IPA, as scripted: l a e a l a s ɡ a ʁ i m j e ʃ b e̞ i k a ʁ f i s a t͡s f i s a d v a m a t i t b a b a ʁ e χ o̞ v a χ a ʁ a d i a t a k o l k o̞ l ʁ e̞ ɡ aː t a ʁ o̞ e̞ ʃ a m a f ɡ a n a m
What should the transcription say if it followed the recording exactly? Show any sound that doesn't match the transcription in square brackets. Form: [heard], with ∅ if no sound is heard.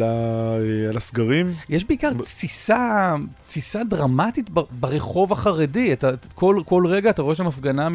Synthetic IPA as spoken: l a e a l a s ɡ a ʁ i m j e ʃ b e̞ i k a ʁ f i s a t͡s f i s a d [ʁ] a m a t i t b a b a ʁ e χ o̞ v a χ a ʁ [e] d i a t a k o l k o̞ l ʁ e̞ ɡ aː t a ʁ o̞ e̞ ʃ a m a f ɡ a n a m